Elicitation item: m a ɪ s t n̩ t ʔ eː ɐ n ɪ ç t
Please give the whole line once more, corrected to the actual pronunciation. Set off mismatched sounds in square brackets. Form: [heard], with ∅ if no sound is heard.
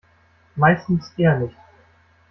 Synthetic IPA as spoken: m a ɪ s t n̩ [s] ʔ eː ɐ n ɪ ç t